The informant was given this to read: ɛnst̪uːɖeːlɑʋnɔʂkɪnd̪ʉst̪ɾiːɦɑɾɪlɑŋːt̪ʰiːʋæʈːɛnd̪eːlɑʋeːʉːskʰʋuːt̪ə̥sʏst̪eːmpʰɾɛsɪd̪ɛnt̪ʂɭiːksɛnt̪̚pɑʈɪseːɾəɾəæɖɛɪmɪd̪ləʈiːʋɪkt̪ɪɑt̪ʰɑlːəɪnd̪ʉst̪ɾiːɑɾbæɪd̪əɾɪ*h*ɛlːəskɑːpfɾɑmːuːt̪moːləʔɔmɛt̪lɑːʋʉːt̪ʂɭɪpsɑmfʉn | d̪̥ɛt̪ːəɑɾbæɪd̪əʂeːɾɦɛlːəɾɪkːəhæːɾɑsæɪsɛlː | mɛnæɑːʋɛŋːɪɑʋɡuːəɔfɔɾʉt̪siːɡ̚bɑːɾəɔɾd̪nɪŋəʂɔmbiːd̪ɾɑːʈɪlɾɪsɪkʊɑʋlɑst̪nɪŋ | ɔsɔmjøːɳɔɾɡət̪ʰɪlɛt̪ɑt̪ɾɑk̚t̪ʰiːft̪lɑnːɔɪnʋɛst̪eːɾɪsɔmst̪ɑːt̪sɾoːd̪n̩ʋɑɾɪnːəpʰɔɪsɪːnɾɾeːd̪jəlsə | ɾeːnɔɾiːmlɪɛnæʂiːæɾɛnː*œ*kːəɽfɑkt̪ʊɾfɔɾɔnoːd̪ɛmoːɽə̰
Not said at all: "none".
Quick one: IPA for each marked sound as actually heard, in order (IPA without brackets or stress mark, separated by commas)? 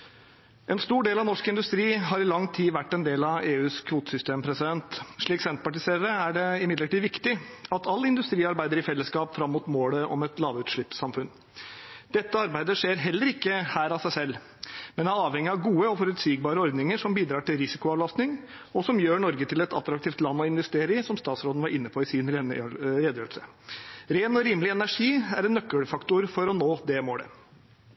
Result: f, œ